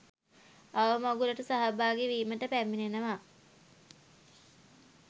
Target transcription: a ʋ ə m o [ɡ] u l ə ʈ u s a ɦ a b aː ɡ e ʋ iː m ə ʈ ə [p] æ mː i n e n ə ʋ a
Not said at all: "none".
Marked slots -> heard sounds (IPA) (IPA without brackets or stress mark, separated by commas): ɡ, p